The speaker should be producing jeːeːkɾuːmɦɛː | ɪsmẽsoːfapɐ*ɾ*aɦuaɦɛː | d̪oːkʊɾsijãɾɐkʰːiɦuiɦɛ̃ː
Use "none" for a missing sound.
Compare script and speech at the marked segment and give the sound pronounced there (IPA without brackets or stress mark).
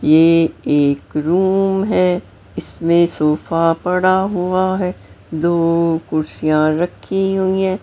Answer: ɽ